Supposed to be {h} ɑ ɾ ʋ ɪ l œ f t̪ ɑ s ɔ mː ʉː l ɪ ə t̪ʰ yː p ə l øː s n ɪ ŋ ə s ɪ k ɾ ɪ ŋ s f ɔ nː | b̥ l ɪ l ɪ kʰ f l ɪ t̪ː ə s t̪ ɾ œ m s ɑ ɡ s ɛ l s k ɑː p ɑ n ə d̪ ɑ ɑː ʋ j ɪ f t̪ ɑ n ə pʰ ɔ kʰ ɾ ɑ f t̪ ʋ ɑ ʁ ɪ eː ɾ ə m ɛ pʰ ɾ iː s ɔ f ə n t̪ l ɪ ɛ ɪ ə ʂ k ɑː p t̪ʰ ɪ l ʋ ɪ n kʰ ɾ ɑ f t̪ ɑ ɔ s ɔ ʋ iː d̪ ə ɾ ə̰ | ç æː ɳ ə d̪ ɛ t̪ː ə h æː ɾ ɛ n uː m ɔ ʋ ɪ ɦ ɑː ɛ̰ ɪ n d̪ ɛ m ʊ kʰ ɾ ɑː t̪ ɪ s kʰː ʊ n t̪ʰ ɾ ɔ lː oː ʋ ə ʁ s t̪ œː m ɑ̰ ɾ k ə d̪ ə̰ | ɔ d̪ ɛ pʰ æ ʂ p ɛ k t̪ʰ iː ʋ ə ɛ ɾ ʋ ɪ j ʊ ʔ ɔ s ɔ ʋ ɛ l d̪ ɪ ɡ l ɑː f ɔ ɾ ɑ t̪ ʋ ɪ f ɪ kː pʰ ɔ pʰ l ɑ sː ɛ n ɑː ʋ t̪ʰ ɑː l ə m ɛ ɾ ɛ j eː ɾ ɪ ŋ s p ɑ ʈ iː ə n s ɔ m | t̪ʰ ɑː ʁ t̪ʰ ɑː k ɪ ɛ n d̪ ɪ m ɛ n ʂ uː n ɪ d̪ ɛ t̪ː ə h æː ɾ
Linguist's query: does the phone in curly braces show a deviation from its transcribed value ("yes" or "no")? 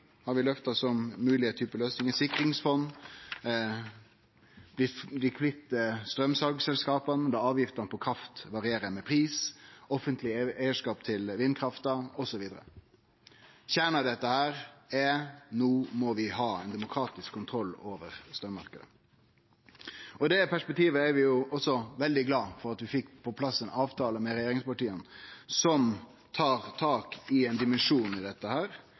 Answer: no